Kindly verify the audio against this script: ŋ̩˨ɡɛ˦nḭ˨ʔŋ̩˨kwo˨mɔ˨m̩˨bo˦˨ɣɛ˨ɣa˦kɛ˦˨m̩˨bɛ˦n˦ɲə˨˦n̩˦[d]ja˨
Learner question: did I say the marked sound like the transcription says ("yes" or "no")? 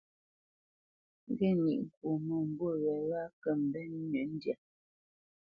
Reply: yes